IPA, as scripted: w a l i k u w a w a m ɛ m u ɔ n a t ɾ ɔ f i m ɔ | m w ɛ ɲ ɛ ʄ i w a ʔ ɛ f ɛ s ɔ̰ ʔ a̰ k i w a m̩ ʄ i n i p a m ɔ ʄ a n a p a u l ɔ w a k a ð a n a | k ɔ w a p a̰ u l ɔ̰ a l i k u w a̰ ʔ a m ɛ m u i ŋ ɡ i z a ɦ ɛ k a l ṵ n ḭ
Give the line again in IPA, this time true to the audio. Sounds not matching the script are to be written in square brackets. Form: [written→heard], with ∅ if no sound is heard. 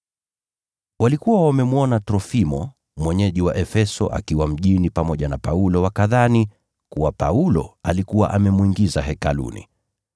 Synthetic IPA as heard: w a l i k u w a w a m ɛ m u ɔ n a t ɾ ɔ f i m ɔ | m w ɛ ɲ ɛ ʄ i w a ʔ ɛ f ɛ s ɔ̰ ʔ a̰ k i w a m̩ ʄ i n i p a m ɔ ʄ a n a p a u l ɔ w a k a ð a n [a→i] | k [ɔ→u] w a p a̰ u l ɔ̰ a l i k u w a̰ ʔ a m ɛ m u i ŋ ɡ i z a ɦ ɛ k a l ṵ n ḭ